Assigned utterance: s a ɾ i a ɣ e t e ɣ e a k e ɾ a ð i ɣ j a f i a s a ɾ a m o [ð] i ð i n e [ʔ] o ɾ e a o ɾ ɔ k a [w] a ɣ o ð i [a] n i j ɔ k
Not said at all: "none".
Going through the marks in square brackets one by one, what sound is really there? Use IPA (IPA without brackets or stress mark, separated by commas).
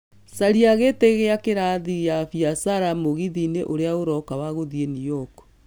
ɣ, ʔ, w, e